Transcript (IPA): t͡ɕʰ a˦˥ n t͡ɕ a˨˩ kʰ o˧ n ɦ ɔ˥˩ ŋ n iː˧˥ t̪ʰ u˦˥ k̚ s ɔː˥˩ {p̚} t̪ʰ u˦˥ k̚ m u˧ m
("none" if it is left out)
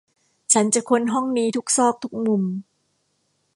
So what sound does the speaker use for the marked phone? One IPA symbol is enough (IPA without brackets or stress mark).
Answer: k̚